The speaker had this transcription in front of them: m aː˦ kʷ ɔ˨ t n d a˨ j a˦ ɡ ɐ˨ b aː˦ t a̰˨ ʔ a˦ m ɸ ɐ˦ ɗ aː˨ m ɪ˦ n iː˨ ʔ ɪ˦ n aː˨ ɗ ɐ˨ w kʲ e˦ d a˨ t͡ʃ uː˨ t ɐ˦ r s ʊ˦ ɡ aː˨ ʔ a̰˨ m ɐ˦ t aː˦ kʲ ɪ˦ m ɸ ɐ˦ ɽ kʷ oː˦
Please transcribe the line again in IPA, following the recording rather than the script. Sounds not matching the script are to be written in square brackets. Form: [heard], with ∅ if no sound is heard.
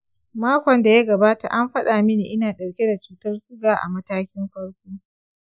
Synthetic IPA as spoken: m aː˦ kʷ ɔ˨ [∅] n d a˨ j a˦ ɡ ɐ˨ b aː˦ t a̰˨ ʔ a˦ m ɸ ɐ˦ ɗ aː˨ m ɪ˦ n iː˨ ʔ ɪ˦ n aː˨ ɗ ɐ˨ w kʲ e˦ d a˨ t͡ʃ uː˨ t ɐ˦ r s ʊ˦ ɡ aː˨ ʔ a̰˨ m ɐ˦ t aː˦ kʲ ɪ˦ m ɸ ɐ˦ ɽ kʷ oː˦